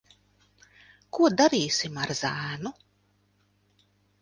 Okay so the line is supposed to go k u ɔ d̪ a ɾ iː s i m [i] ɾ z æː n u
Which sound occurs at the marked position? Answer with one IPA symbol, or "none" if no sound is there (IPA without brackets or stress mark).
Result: a